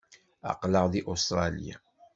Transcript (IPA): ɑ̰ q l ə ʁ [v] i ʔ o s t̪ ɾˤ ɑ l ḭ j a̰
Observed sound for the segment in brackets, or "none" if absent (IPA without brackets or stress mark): ð